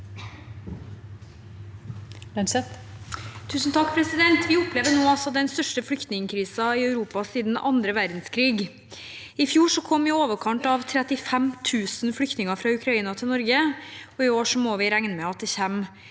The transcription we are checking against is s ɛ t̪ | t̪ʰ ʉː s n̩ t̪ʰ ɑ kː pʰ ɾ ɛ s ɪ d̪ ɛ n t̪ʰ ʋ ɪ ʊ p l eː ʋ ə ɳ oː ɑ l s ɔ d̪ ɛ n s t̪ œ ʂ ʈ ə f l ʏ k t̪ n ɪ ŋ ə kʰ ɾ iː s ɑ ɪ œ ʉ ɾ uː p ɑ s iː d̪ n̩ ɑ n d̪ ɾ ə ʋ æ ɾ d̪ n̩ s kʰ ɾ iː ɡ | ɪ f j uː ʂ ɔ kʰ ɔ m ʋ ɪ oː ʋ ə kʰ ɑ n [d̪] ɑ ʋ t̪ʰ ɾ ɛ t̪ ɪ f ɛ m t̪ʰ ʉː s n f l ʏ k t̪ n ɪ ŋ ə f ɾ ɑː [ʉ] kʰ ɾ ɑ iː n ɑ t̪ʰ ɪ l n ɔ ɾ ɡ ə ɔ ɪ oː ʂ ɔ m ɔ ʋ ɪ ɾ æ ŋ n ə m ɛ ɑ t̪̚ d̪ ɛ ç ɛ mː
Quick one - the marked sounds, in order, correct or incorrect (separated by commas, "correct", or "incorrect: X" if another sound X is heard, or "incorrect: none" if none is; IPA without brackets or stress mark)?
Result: incorrect: t̪, correct